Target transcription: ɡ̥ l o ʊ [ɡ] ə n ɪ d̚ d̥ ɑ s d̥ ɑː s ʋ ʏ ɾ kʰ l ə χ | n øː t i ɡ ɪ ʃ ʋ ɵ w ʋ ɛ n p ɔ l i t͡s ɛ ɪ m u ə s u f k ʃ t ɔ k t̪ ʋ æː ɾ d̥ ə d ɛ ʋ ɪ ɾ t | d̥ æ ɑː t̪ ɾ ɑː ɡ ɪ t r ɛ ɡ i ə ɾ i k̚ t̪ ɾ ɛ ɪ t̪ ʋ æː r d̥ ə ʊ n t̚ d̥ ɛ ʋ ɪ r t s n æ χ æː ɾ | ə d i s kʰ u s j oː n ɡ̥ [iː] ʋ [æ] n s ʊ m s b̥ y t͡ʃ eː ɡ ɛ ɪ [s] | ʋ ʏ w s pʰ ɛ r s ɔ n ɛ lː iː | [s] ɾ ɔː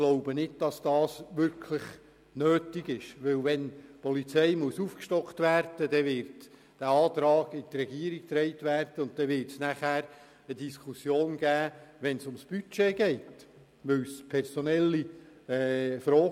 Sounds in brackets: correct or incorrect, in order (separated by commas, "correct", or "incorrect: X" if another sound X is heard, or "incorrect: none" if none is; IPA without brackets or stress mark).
incorrect: b, incorrect: æː, incorrect: ɛ, incorrect: t, incorrect: f